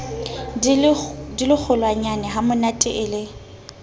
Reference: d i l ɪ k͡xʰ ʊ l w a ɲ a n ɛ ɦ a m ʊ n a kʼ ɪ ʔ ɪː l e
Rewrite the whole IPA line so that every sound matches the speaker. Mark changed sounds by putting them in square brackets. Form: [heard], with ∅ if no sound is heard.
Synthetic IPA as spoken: d i l ɪ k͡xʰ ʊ l w a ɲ a n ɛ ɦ a m ʊ n a [tʼ] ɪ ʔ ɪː l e